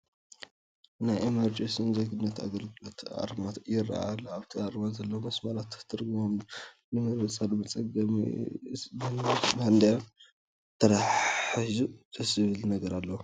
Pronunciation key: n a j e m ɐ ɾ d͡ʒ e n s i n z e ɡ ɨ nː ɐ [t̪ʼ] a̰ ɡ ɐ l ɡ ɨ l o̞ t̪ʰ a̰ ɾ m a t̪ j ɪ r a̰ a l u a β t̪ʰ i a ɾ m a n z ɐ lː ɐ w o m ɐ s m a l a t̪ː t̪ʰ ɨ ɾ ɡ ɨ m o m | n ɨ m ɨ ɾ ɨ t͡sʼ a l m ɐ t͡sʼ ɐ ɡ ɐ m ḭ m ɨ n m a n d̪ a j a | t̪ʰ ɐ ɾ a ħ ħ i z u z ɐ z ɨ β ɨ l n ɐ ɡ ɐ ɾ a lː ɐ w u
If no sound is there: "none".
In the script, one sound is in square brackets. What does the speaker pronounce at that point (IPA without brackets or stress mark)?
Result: t̪